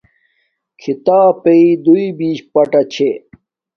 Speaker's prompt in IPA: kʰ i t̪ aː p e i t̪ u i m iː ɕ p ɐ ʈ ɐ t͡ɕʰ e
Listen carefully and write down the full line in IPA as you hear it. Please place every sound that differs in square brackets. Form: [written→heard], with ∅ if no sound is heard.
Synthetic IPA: kʰ i t̪ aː p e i [t̪→d̪] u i [m→b] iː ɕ p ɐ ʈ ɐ t͡ɕʰ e

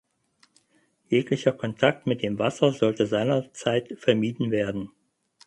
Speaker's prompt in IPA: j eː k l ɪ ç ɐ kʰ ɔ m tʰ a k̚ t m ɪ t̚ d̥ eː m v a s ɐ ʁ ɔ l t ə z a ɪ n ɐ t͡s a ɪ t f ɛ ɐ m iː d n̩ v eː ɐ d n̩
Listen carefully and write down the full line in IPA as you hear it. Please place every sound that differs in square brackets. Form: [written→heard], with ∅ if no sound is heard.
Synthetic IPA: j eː k l ɪ ç ɐ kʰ ɔ [m→n] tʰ a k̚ t m ɪ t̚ d̥ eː m v a s ɐ [ʁ→z] ɔ l t ə z a ɪ n ɐ t͡s a ɪ t f ɛ ɐ m iː d n̩ v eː ɐ d n̩

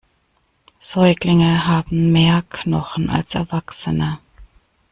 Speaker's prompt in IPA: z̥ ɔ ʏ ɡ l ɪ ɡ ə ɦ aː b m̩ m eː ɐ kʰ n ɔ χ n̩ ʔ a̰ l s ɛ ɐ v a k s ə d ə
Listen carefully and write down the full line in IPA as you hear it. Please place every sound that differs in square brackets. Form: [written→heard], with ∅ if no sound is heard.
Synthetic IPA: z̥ ɔ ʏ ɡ l ɪ [ɡ→ŋ] ə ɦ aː b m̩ m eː ɐ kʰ n ɔ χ n̩ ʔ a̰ l s ɛ ɐ v a k s ə [d→n] ə

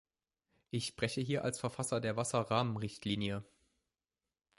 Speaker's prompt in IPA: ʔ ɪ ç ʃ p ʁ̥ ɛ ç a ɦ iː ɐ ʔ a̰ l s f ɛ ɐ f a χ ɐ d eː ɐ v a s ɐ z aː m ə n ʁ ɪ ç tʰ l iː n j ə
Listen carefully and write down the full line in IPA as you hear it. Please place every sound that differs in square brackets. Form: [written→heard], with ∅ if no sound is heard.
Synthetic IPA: ʔ ɪ ç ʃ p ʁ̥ ɛ ç [a→ə] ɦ iː ɐ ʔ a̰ l s f ɛ ɐ f a [χ→s] ɐ d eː ɐ v a s ɐ [z→ʁ] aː m ə n ʁ ɪ ç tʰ l iː n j ə

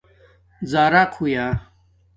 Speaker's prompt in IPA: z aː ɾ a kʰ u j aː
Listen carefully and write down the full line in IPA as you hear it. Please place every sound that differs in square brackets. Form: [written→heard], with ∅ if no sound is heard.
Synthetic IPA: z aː ɾ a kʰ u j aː

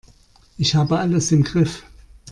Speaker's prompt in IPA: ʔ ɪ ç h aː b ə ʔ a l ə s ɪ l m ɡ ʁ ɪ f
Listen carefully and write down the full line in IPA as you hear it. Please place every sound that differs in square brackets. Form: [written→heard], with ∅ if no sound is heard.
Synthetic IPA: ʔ ɪ ç h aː b ə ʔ a l ə s ɪ [l→∅] m ɡ ʁ ɪ f

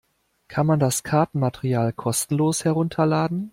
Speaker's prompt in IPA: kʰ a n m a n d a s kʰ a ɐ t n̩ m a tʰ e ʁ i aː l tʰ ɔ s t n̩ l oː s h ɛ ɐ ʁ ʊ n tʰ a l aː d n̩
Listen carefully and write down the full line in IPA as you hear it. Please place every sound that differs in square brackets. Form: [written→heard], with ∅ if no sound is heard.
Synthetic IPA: kʰ a n m a n d a s kʰ a ɐ t n̩ m a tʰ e ʁ i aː l [tʰ→kʰ] ɔ s t n̩ l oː s h ɛ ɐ ʁ ʊ n tʰ [a→ɐ] l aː d n̩

